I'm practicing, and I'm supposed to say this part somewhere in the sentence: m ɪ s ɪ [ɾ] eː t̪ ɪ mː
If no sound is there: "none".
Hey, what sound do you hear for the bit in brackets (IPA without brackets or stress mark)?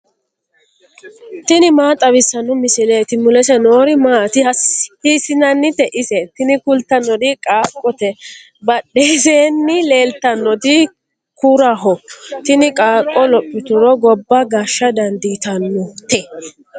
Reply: l